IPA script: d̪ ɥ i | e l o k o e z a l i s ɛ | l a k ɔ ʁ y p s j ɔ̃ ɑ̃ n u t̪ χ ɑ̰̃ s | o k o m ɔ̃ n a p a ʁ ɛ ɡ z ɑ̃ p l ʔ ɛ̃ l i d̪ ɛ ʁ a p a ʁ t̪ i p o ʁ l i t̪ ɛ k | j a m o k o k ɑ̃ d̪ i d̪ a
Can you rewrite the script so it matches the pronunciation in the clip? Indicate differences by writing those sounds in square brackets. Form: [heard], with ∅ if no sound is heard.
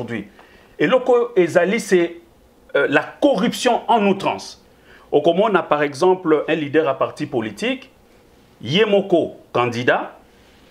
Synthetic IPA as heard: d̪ ɥ i | e l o k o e z a l i s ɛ | l a k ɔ ʁ y p s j ɔ̃ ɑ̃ n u t̪ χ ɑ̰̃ s | o k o m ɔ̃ n a p a ʁ ɛ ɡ z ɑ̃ p l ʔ ɛ̃ l i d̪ ɛ ʁ a p a ʁ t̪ i p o [∅] l i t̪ [i] k | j [e] m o k o k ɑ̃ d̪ i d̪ a

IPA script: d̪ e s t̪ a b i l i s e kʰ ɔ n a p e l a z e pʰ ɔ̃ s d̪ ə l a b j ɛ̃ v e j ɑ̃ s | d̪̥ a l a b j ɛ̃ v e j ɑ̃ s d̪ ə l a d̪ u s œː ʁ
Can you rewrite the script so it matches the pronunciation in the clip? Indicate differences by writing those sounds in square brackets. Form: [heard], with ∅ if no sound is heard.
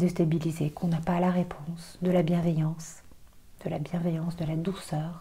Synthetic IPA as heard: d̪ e s t̪ a b i l i [z] e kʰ [ɔ̃] n a p [a] l a [ʁ] e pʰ ɔ̃ s d̪ ə l a b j ɛ̃ v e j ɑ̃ s | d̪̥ [ə] l a b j ɛ̃ v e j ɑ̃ s d̪ ə l a d̪ u s œː ʁ

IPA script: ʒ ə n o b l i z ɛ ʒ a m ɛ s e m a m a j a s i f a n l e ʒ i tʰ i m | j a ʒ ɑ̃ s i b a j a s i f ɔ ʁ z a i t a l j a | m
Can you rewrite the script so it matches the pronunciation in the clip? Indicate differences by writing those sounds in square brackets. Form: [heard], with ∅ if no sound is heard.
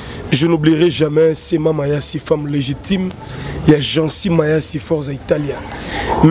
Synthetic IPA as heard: ʒ ə n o b l i [ʁ] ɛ ʒ a m ɛ s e m a m a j a s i f a [m] l e ʒ i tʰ i m | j a ʒ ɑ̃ s i [m] a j a s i f ɔ ʁ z a i t a l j a | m

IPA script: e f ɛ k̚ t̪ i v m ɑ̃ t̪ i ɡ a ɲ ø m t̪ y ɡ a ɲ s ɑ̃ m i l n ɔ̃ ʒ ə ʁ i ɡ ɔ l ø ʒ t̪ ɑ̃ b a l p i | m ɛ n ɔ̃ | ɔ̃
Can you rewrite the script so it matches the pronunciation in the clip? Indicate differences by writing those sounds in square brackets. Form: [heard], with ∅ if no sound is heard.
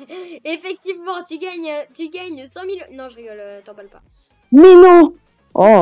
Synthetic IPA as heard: e f ɛ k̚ t̪ i v m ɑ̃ t̪ [y] ɡ a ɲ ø [∅] t̪ y ɡ a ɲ s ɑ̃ m i l n ɔ̃ ʒ ə ʁ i ɡ ɔ l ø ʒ t̪ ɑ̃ b a l p [a] | m ɛ n ɔ̃ | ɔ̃

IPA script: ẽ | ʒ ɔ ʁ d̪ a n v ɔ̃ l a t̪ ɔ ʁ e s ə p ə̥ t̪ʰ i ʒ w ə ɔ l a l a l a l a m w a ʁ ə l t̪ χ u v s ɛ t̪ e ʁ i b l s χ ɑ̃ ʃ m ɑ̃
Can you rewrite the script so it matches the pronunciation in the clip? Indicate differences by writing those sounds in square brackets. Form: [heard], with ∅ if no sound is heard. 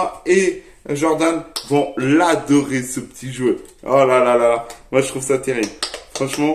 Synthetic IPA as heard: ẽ | ʒ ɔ ʁ d̪ a n v ɔ̃ l a [d̪] ɔ ʁ e s ə p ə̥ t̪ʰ i ʒ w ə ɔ l a l a l a l a m w a [ʒ] ə [∅] t̪ χ u v s [a] t̪ e ʁ i b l [f] χ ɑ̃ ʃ m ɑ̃

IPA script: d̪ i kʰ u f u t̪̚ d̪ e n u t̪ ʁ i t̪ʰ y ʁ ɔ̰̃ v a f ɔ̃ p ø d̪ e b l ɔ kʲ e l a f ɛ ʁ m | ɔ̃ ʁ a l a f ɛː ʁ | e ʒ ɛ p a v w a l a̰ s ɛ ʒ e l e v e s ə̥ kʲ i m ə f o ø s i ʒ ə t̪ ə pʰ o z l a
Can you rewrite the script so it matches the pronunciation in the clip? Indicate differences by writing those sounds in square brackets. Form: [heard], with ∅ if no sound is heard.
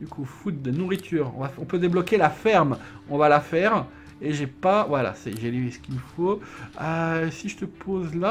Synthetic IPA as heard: d̪ [y] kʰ u f u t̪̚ d̪ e n u [∅] ʁ i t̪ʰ y ʁ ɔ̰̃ v a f ɔ̃ p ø d̪ e b l ɔ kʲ e l a f ɛ ʁ m | ɔ̃ [v] a l a f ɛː ʁ | e ʒ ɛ p a v w a l a̰ s ɛ ʒ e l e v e s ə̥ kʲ i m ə f o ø s i ʒ ə t̪ ə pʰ o z l a

